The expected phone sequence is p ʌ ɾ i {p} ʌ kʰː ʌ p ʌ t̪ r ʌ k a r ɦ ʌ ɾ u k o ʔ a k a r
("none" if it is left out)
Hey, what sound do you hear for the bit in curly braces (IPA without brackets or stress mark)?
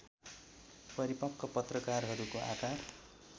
p